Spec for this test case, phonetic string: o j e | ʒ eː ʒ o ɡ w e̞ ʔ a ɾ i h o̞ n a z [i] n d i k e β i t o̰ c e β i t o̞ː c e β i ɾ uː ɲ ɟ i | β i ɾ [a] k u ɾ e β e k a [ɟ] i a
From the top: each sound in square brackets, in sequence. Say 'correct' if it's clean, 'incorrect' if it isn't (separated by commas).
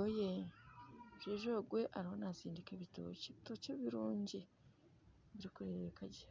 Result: incorrect, incorrect, correct